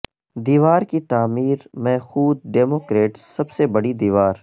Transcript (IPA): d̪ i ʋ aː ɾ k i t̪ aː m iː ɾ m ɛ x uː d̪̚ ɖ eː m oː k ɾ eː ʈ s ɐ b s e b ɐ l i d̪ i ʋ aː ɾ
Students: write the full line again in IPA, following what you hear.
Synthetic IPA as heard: d̪ iː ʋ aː ɾ k i t̪ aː m iː ɾ m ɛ x uː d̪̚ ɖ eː m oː k ɾ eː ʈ s ɐ b s e b ɐ ɽ i d̪ iː ʋ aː ɾ